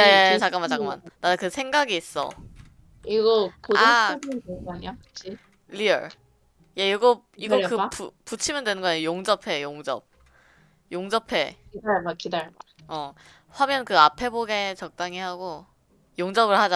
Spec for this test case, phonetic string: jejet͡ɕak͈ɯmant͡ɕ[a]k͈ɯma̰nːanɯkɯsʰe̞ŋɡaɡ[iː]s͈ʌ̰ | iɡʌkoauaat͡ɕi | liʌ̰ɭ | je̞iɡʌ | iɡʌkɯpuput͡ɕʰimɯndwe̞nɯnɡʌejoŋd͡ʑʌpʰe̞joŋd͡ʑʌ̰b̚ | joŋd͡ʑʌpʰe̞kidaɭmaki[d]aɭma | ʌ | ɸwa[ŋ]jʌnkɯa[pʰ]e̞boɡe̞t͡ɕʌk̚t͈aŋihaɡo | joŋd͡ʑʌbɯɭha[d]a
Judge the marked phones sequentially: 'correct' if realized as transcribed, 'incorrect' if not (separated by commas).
correct, correct, correct, incorrect, correct, incorrect